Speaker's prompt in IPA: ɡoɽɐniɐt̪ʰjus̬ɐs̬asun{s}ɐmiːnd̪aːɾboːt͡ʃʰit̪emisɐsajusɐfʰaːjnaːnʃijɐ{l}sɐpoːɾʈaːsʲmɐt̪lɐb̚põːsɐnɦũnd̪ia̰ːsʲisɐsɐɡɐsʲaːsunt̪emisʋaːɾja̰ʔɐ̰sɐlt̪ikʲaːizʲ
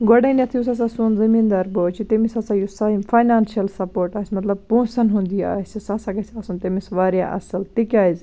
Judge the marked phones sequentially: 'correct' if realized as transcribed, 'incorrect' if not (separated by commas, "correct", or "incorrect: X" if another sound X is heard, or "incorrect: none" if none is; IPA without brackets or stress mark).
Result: incorrect: z, correct